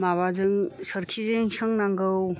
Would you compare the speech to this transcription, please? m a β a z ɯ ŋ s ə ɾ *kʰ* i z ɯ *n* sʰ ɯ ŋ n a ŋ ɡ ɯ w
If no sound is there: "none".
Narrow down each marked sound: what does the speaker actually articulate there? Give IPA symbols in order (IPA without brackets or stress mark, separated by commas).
kʰ, ŋ